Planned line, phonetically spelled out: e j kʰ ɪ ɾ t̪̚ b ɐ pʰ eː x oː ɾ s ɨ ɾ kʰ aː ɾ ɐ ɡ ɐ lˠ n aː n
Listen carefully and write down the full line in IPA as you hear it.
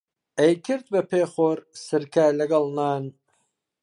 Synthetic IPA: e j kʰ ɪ ɾ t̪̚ b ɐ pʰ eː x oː ɾ s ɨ ɾ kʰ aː l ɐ ɡ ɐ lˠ n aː n

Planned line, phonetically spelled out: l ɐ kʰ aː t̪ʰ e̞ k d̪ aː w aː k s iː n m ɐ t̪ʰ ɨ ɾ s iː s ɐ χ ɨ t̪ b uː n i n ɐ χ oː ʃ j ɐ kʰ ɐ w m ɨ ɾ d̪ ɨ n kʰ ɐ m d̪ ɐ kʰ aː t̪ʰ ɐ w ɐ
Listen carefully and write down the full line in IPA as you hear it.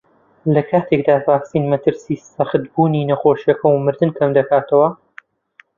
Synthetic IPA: l ɐ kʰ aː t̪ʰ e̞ k d̪ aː v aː k s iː n m ɐ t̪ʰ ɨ ɾ s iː s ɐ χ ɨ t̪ b uː n i n ɐ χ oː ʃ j ɐ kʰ ɐ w m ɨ ɾ d̪ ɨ n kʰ ɐ m d̪ ɐ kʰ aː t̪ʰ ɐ w ɐ

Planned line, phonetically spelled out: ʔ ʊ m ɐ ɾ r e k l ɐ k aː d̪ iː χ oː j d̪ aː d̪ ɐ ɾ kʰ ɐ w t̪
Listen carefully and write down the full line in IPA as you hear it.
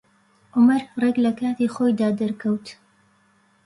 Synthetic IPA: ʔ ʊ m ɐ ɾ r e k l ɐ k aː t̪ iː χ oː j d̪ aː d̪ ɐ ɾ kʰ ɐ w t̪

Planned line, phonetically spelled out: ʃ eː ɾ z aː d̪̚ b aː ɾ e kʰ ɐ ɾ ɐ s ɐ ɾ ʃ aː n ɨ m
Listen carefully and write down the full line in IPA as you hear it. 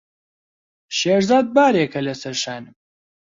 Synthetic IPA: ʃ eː ɾ z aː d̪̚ b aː ɾ e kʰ ɐ l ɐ s ɐ ɾ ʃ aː n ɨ m

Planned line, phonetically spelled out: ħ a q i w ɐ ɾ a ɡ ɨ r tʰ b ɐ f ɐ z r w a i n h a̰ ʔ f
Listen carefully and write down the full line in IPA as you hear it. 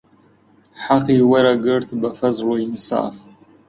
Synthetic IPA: ħ a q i w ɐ ɾ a ɡ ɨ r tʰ b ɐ f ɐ z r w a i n s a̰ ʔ f

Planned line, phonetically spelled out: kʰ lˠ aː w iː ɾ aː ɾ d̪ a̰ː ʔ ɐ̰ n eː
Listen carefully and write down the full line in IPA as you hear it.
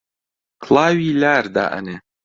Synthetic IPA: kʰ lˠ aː w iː l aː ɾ d̪ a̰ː ʔ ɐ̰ n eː

